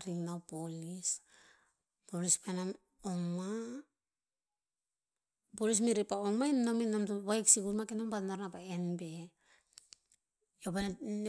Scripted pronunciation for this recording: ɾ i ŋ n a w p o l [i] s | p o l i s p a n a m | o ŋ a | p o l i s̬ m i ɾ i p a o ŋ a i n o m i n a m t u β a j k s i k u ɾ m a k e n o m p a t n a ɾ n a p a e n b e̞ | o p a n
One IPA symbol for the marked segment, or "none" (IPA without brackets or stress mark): i